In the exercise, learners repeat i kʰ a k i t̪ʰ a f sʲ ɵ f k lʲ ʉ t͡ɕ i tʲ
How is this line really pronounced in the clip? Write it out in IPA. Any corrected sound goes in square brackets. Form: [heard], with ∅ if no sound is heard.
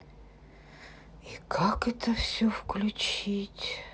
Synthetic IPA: i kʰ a k [ɛ] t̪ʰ [ə] f sʲ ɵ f k lʲ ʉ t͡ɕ i tʲ

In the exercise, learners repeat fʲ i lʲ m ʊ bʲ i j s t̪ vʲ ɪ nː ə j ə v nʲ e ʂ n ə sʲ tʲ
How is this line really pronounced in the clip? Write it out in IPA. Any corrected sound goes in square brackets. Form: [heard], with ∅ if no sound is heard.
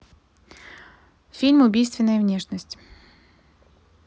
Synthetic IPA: fʲ i lʲ m ʊ bʲ i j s t̪ vʲ ɪ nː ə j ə v nʲ e ʂ n ə sʲ tʲ

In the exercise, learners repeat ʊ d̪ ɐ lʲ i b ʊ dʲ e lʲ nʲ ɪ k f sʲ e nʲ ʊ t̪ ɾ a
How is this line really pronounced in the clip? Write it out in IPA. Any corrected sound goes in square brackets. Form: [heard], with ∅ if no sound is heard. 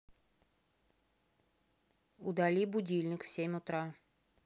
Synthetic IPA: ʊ d̪ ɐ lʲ i b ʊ dʲ [i] lʲ nʲ ɪ k f sʲ e [mʲ] ʊ t̪ ɾ a

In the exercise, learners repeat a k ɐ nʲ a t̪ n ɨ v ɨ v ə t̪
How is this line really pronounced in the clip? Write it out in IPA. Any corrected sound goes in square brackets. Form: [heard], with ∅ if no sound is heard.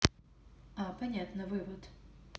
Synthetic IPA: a [p] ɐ nʲ a t̪ n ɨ v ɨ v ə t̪

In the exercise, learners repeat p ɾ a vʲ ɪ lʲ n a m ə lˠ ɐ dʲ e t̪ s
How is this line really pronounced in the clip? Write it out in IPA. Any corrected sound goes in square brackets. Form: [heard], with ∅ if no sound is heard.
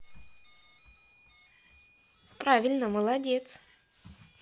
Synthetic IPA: p ɾ a vʲ ɪ lʲ n [ə] m ə lˠ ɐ dʲ e t̪ s

